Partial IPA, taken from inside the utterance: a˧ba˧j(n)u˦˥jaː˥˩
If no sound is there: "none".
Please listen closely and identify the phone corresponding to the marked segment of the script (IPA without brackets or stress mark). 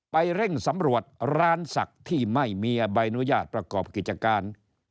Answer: n